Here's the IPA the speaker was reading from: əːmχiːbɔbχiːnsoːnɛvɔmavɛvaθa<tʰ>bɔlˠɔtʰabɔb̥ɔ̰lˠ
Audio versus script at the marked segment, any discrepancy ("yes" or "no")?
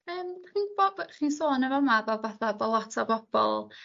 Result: yes